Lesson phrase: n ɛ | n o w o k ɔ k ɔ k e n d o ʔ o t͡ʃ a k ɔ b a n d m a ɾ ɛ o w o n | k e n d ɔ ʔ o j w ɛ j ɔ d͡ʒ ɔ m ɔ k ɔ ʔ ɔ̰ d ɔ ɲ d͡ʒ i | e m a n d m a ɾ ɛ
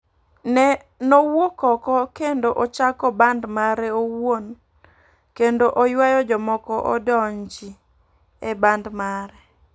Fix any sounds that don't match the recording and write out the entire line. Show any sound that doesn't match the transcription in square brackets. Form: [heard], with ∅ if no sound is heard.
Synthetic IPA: n ɛ | n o w o k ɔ k ɔ k e n d o ʔ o t͡ʃ a k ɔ b a n d m a ɾ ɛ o w o n | k e n d [o] ʔ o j w [a] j ɔ d͡ʒ ɔ m ɔ k ɔ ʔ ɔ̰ d ɔ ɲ d͡ʒ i | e [b] a n d m a ɾ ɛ